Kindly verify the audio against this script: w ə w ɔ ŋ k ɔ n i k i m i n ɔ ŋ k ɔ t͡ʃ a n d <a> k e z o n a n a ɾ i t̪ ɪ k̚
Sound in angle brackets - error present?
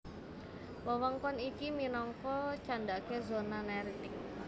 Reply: no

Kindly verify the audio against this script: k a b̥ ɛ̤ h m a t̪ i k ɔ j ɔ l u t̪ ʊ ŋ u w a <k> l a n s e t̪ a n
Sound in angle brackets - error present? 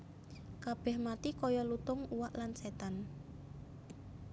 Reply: yes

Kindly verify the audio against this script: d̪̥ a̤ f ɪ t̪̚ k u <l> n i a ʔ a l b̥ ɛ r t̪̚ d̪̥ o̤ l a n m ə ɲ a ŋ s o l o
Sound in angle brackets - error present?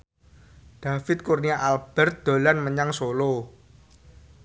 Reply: yes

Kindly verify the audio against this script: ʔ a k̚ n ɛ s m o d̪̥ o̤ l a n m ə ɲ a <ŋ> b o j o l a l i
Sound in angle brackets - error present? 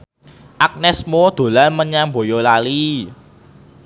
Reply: yes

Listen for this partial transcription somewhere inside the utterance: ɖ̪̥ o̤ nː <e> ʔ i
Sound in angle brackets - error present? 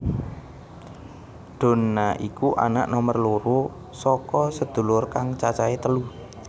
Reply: yes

